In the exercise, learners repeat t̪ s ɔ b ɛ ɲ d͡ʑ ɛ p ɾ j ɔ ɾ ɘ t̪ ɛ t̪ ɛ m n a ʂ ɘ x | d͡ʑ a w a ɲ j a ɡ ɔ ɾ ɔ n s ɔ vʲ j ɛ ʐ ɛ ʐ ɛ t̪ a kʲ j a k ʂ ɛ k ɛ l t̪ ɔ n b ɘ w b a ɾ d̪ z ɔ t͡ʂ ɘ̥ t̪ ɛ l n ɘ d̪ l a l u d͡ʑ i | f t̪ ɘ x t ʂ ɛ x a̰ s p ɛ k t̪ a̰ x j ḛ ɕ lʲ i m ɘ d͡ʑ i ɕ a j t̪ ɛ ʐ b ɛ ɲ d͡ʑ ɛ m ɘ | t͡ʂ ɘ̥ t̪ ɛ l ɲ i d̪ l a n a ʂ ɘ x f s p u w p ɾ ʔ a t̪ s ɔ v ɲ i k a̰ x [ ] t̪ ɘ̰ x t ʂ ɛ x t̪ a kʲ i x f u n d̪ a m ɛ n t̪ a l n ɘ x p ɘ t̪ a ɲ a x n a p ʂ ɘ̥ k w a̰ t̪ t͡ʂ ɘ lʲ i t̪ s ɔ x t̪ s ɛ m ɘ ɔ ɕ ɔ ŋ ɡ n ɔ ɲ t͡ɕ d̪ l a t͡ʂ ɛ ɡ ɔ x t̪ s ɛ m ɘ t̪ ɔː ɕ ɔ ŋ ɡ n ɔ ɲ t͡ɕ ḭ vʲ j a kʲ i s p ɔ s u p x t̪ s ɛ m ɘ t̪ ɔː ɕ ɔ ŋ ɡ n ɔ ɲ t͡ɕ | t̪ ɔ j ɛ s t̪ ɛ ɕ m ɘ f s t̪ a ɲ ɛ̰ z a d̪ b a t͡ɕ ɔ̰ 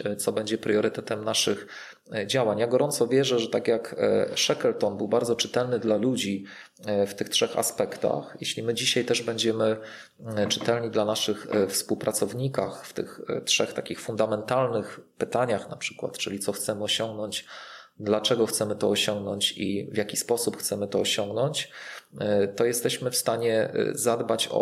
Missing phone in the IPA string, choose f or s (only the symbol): f